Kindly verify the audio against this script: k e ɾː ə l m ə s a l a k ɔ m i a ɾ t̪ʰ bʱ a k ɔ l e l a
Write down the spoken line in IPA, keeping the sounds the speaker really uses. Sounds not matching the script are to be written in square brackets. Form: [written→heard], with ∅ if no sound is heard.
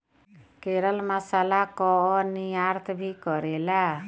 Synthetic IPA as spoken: k e [ɾː→ɾ] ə l m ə s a l a k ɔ [m→n] i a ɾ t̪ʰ bʱ [a→i] k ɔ [l→ɾ] e l a

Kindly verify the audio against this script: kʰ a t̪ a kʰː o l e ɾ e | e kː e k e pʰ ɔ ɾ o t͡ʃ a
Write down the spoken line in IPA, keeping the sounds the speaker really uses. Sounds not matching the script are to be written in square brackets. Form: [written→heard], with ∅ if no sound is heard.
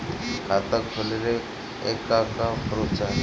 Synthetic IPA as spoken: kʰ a t̪ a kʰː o l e ɾ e | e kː [e→a] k [e→a] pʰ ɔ ɾ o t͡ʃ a

